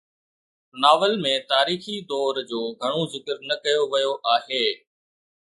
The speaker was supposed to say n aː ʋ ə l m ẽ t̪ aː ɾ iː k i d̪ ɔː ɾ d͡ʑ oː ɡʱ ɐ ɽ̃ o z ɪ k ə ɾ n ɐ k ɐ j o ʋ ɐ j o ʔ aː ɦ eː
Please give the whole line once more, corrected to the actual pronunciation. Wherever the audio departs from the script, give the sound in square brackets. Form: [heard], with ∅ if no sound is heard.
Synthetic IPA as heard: n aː ʋ ə l m ẽ t̪ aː ɾ iː [x] i d̪ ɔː ɾ d͡ʑ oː ɡʱ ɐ ɽ̃ o z ɪ k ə ɾ n ɐ k ɐ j o ʋ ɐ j o ʔ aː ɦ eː